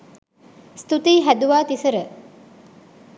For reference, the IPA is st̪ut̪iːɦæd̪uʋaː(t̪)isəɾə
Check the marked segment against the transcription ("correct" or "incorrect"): correct